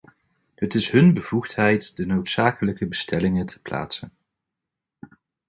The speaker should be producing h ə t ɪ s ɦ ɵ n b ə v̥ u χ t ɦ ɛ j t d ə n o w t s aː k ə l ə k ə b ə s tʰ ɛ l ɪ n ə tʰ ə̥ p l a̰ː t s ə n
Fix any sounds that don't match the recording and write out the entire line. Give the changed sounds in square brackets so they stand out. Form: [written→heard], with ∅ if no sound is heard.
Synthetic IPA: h ə t ɪ s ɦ ɵ n b ə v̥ u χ t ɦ ɛ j t d ə n o w t s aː k ə l ə k ə b ə s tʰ ɛ l ɪ [n→ŋ] ə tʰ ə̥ p l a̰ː t s ə n